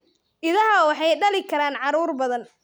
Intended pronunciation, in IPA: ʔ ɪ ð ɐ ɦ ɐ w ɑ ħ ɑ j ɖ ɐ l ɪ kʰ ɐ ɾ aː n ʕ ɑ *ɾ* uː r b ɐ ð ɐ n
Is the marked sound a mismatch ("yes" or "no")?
no